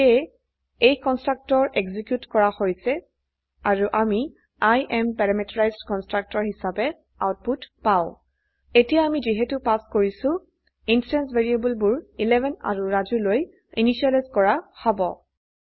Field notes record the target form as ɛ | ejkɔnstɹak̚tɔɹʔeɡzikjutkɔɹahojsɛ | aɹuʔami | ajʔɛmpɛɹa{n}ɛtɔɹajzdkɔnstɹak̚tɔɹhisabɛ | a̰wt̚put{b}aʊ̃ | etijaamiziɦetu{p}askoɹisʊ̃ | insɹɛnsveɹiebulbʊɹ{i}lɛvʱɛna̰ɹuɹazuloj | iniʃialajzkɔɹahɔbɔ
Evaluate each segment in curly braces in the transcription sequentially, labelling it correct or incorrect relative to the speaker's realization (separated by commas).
incorrect, incorrect, correct, correct